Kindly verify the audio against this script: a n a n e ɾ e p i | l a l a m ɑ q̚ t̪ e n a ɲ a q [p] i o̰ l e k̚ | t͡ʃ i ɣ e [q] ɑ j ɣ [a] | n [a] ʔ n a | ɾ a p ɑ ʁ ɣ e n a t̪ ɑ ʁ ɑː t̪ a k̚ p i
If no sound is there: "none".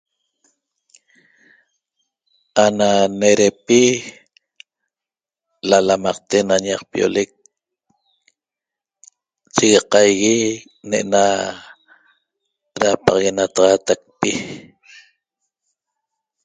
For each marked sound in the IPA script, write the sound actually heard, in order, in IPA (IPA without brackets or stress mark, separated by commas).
p, q, i, e